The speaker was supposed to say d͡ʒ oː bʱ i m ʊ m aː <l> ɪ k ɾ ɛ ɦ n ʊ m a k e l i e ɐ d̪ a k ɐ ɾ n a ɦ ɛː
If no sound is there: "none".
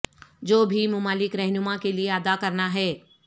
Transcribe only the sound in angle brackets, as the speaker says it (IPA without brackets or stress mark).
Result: l